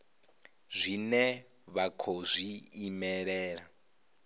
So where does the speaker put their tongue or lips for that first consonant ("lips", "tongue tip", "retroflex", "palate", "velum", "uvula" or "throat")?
tongue tip